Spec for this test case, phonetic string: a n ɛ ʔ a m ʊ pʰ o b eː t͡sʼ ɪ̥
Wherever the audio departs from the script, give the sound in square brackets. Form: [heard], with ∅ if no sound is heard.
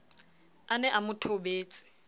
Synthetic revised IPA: a n ɛ ʔ a m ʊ [tʰ] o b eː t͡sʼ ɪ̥